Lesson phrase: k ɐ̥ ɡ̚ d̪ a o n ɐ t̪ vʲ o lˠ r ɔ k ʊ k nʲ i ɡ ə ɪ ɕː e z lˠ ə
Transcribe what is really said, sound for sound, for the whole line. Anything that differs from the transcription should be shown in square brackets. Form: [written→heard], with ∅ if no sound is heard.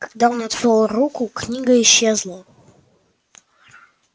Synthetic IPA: k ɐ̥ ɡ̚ d̪ a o n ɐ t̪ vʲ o lˠ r [ɔ→u] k ʊ k nʲ i ɡ ə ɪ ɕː e z lˠ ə